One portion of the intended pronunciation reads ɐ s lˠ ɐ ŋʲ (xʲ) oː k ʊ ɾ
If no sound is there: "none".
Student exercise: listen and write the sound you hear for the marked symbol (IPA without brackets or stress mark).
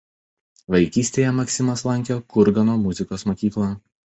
kʲ